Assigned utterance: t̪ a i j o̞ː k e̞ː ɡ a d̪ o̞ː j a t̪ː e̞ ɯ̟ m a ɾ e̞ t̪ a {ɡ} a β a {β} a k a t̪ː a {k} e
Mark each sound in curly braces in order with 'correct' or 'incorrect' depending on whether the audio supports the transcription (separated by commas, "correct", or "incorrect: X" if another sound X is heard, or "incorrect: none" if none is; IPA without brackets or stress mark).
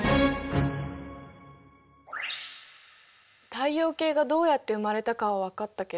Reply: incorrect: k, correct, correct